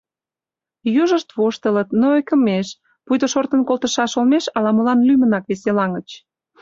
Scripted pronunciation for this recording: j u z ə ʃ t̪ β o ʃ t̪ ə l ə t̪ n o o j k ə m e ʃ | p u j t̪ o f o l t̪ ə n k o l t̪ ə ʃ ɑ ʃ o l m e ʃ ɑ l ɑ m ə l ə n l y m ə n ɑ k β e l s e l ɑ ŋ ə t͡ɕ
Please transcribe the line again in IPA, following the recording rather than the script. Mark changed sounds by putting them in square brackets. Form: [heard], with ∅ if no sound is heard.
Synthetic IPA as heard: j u [ʒ] ə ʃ t̪ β o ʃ t̪ ə l ə t̪ n o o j k ə m e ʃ | p u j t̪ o [ʃ] o [r] t̪ ə n k o l t̪ ə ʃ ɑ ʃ o l m e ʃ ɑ l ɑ m ə l [ɑ] n l y m ə n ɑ k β e [∅] s e l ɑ ŋ ə t͡ɕ

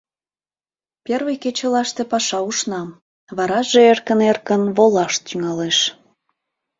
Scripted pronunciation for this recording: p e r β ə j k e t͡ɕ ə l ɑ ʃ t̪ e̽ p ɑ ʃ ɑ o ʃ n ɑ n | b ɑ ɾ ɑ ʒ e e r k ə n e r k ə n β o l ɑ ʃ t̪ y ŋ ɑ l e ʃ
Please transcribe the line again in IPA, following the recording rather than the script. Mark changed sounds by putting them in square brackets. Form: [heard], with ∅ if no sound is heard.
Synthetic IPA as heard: p e r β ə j k e t͡ɕ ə l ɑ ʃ t̪ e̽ p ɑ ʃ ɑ [u] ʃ n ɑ [m] | [β] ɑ ɾ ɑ ʒ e e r k ə n e r k ə n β o l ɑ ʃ t̪ y ŋ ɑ l e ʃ

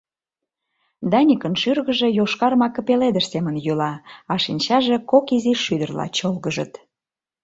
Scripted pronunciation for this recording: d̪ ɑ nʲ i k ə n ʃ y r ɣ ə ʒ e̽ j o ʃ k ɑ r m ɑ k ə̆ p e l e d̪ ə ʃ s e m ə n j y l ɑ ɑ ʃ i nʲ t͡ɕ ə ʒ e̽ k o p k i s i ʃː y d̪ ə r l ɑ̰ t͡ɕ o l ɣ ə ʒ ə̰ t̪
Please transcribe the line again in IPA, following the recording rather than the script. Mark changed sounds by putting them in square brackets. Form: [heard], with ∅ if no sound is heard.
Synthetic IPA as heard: d̪ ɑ nʲ i k ə n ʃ y r ɣ ə ʒ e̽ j o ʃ k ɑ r m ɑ k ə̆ p e l e d̪ ə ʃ s e m ə n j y l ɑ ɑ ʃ i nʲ t͡ɕ [ɑ] ʒ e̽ k o [∅] k i [z] i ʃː y d̪ ə r l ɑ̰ t͡ɕ o l ɣ ə ʒ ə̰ t̪

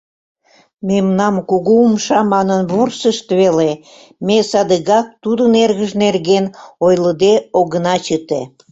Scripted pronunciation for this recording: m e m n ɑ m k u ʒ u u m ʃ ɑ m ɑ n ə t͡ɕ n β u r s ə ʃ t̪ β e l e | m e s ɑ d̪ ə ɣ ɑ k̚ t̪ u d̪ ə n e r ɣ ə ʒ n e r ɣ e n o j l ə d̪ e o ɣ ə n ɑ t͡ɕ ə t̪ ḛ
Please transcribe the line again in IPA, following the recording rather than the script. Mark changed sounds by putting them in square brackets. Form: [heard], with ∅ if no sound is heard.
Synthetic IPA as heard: m e m n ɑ m k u [ɣ] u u m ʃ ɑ m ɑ n ə [∅] n β u r s ə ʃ t̪ β e l e | m e s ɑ d̪ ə ɣ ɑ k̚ t̪ u d̪ ə n e r ɣ ə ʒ n e r ɣ e n o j l ə d̪ e o ɣ ə n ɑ t͡ɕ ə t̪ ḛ

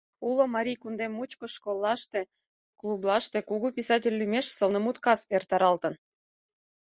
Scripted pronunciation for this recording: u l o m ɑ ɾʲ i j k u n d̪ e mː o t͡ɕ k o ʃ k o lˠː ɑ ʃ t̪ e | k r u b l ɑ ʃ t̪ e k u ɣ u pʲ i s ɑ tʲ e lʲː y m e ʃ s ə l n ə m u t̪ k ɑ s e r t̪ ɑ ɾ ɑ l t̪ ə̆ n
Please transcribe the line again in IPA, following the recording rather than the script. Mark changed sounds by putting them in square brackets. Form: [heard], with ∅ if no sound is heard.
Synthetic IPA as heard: u l o m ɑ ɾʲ i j k u n d̪ e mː [u] t͡ɕ k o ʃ k o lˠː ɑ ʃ t̪ e | k [l] u b l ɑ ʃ t̪ e k u ɣ u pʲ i s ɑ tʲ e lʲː y m e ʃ s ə l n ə m u t̪ k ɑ s e r t̪ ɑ ɾ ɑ l t̪ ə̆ n

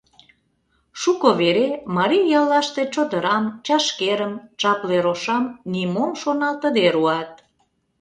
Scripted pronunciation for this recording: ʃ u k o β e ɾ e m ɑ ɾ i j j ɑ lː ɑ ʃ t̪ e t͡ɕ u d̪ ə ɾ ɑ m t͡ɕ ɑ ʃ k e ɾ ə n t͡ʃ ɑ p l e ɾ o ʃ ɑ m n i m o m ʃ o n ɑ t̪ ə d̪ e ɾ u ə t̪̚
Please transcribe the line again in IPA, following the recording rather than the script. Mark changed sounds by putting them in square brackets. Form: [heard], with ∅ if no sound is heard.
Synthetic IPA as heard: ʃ u k o β e ɾ e m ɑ ɾ i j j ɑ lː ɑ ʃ t̪ e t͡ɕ [o] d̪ ə ɾ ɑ m t͡ɕ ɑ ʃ k e ɾ ə [m] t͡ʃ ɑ p l e ɾ o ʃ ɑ m n i m o m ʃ o n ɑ t̪ ə d̪ e ɾ u [ɑ] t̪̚

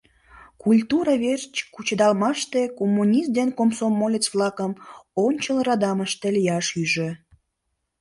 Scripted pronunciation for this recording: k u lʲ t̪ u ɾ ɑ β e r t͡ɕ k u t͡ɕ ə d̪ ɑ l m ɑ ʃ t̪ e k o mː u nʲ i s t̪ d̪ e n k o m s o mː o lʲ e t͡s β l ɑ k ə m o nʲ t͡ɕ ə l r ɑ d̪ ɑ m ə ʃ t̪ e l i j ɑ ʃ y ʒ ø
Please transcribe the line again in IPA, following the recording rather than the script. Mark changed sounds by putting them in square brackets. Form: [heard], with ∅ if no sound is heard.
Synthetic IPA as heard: k u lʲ t̪ u ɾ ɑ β e r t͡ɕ k u t͡ɕ ə d̪ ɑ l m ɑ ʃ t̪ e k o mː u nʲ i s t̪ d̪ e n k o m s o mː o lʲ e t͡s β l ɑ k ə m o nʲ t͡ɕ ə l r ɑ d̪ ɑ m ə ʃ t̪ e l i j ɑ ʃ y ʒ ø

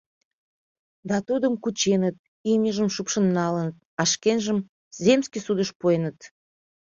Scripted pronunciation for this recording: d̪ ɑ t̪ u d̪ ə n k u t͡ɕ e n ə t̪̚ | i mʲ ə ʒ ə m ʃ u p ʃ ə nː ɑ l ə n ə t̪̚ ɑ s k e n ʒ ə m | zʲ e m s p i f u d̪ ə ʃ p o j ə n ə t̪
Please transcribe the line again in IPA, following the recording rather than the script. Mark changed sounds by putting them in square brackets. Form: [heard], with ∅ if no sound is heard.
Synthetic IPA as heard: d̪ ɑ t̪ u d̪ ə [m] k u t͡ɕ e n ə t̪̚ | i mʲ ə ʒ ə m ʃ u p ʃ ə nː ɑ l ə n ə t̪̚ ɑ [ʃ] k e n ʒ ə m | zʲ e m s [k] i [s] u d̪ ə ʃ p o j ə n ə t̪

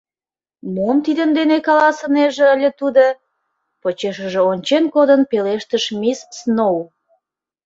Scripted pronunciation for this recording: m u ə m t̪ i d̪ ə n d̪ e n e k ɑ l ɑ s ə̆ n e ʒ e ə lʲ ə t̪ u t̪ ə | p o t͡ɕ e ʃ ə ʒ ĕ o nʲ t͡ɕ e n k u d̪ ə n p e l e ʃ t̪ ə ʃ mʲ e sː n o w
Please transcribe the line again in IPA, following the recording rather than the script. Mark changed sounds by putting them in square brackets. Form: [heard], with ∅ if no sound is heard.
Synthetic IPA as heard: m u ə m t̪ i d̪ ə n d̪ e n e k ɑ l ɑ s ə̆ n e ʒ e ə lʲ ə t̪ u [d̪] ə | p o t͡ɕ e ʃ ə ʒ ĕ o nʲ t͡ɕ e n k [o] d̪ ə n p e l e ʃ t̪ ə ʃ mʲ [i] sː n o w

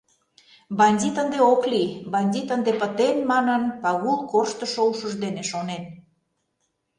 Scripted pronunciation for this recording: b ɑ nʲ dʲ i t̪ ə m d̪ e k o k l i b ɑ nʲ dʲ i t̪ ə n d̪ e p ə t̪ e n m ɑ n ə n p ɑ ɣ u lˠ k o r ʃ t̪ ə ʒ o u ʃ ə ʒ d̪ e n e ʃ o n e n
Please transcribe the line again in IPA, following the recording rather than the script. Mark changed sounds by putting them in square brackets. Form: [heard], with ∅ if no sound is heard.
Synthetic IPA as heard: b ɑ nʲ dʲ i t̪ ə [n] d̪ e [∅] o k l i b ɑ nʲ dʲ i t̪ ə n d̪ e p ə t̪ e n m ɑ n ə n p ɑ ɣ u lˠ k o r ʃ t̪ ə [ʃ] o u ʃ ə ʒ d̪ e n e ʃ o n e n

